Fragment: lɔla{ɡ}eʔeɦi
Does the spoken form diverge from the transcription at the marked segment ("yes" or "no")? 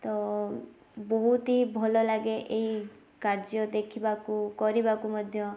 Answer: no